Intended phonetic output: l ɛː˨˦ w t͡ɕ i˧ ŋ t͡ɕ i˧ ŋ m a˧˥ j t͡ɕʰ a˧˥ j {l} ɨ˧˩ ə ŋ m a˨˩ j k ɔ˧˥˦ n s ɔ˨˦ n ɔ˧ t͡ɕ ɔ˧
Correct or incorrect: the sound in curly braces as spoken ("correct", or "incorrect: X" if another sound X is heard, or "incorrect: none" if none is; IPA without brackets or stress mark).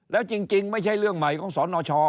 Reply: correct